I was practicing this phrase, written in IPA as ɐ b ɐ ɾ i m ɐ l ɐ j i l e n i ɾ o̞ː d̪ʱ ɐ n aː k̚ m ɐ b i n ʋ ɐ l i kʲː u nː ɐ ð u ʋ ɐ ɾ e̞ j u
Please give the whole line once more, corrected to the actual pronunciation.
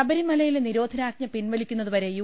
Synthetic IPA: ɐ b ɐ ɾ i m ɐ l ɐ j i l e n i ɾ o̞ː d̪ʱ ɐ n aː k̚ ɲ ɐ p i n ʋ ɐ l i kʲː u nː ɐ ð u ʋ ɐ ɾ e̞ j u